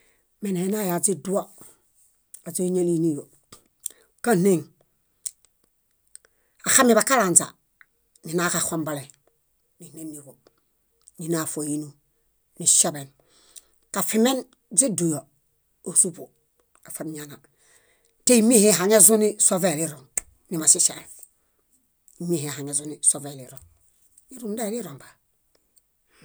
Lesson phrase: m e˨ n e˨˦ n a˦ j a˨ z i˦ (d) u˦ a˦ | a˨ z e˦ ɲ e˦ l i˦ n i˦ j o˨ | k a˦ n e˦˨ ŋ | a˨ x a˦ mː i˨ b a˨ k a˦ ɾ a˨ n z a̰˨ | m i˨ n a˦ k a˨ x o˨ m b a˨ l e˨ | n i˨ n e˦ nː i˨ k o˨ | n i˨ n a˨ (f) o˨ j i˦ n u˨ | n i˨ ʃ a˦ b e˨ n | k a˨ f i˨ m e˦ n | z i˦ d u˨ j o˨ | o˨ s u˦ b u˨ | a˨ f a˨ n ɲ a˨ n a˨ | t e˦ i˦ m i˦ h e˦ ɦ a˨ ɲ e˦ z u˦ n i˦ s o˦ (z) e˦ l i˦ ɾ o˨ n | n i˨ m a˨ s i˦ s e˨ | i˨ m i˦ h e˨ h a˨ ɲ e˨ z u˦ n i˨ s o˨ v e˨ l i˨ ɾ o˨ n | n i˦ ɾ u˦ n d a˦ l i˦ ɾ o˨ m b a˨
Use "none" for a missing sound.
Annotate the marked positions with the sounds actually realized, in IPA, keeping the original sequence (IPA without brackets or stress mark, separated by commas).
d, f, v